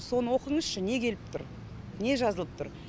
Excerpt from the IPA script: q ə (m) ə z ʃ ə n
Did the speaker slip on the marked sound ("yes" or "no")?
yes